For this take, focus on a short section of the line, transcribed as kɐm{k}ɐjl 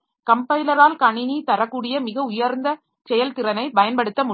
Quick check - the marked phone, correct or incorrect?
incorrect